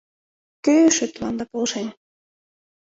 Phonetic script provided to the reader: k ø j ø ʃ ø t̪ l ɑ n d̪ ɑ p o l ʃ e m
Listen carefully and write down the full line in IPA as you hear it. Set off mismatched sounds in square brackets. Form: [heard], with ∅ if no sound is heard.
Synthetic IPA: k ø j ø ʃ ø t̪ l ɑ n d̪ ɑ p o l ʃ e [n]